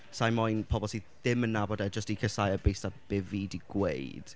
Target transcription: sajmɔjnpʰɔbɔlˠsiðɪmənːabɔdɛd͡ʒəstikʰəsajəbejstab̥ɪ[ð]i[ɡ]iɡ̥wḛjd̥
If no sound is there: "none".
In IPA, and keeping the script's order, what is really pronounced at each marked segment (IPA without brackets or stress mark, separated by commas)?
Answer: v, d